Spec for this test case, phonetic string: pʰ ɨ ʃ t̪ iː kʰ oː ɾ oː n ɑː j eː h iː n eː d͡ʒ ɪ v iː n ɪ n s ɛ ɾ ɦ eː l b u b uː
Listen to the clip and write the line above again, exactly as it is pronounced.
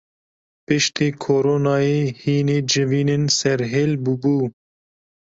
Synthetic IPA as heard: p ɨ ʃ t̪ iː kʰ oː ɾ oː n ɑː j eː h iː n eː d͡ʒ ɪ v iː n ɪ n s ɛ ɾ ɦ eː l b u b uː